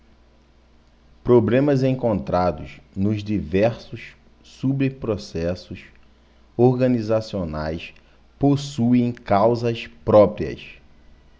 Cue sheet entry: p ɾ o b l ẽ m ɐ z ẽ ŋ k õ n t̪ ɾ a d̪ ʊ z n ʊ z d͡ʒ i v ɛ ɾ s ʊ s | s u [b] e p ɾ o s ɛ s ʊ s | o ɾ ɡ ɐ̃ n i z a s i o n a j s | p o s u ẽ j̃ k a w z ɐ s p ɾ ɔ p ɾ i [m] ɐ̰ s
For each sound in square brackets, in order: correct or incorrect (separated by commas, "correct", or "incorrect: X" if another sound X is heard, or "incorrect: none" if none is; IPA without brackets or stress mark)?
correct, incorrect: none